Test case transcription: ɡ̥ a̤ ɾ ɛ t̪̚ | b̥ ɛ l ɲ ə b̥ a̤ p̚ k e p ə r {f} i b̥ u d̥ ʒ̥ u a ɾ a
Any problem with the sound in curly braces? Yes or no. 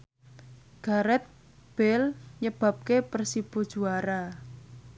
yes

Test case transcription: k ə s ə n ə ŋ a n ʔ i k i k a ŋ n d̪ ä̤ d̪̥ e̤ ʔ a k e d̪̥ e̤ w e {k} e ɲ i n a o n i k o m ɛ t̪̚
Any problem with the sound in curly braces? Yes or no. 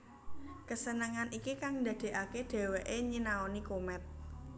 yes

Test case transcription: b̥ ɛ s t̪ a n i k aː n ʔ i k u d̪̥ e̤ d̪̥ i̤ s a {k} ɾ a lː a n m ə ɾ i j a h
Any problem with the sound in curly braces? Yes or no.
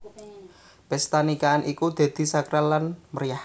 no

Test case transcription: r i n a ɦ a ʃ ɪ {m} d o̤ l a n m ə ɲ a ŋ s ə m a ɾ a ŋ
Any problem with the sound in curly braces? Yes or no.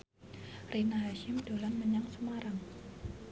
no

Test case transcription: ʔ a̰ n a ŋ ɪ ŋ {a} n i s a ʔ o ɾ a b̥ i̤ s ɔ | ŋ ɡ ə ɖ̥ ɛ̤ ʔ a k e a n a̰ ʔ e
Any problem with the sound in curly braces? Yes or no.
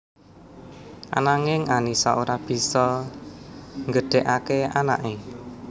no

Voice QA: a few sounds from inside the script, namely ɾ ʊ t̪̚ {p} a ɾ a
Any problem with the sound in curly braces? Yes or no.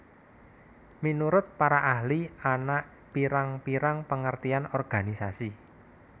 no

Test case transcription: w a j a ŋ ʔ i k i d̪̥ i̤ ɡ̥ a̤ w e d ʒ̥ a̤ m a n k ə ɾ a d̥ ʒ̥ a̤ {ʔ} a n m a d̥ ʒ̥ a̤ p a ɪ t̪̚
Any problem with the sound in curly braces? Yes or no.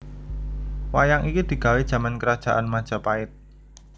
no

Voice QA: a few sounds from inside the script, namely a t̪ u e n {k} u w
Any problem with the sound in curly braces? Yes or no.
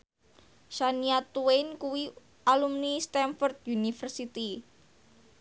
no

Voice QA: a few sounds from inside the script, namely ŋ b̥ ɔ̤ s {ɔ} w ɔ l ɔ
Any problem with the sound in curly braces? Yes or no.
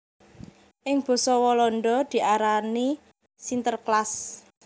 no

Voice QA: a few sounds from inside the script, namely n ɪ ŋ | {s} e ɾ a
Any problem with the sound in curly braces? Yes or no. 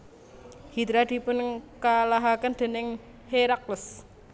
yes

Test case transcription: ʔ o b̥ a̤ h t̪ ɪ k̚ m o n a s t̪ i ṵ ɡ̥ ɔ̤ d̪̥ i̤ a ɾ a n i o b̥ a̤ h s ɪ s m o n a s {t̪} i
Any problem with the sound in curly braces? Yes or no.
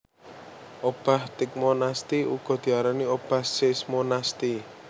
no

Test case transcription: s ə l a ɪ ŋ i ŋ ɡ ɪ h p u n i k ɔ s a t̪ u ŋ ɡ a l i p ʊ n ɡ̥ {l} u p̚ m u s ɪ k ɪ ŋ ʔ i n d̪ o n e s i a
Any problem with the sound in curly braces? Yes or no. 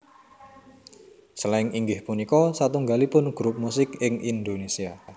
yes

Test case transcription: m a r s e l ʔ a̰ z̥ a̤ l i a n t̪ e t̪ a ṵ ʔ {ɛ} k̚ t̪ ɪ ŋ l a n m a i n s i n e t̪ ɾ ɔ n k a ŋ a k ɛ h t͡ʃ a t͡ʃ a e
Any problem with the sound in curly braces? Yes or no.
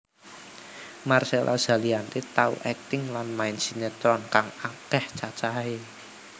no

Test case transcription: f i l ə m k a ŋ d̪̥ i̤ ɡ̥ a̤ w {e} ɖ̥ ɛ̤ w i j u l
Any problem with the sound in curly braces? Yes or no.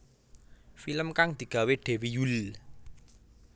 no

